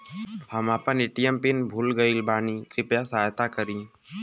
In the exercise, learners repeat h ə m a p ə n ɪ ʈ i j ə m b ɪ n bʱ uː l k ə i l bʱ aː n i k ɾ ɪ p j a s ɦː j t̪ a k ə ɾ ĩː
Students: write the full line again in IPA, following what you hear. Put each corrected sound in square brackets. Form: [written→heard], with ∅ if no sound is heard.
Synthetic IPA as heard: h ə m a p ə n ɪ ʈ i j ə m [b→p] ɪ n bʱ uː l [k→ɡ] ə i l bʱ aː n i k ɾ ɪ p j a s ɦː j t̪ a k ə ɾ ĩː